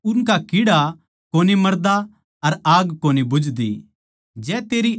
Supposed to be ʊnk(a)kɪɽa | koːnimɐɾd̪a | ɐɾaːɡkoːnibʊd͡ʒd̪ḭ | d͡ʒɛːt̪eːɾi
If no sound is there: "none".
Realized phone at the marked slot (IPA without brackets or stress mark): a